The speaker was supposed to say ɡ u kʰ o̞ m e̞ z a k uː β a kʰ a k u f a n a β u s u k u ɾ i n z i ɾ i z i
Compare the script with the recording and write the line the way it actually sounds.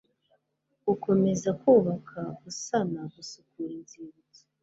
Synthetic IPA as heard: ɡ u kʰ o̞ m e̞ z a k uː β a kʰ a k u s a n a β u s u k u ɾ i n z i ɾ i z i

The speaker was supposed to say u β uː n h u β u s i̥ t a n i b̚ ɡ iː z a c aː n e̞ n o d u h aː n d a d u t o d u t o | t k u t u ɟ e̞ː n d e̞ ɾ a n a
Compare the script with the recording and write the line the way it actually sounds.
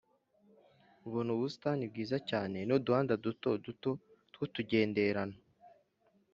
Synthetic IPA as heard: u β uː n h u β u s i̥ t a n i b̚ ɡ iː z a c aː n e̞ n o d u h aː n d a d u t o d u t o | t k u t u ɟ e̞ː n d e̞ ɾ a n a

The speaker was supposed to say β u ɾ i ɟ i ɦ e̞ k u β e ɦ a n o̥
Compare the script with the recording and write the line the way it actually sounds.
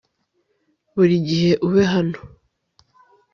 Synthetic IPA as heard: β u ɾ i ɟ i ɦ e̞ ʔ u β e ɦ a n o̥

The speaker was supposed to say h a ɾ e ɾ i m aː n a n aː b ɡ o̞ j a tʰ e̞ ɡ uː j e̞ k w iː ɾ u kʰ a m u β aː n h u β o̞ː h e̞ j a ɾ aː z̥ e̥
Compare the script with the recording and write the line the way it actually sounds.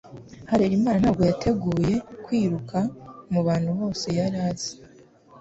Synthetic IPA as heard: h a ɾ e ɾ i m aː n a n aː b ɡ o̞ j a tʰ e̞ ɡ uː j e̞ k w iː ɾ u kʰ a m u β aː n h u β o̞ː s e̞ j a ɾ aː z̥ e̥

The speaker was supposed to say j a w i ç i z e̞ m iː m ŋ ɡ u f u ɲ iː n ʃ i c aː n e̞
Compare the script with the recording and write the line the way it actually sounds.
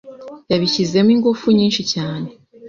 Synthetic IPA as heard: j a β i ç i z e̞ m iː ŋ ɡ u f u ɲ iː n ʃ i c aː n e̞

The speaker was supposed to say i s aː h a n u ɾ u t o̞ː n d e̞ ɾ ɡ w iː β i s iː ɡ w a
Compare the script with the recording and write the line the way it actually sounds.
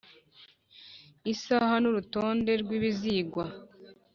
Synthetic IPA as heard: i s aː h a n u ɾ u t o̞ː n d e̞ ɾ ɡ w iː β i z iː ɡ w a

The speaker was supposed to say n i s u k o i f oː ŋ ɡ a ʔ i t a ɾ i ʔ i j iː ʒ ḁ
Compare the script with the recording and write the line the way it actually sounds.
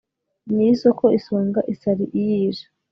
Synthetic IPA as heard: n i s o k o i s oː ŋ ɡ a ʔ i s a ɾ i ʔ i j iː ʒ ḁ

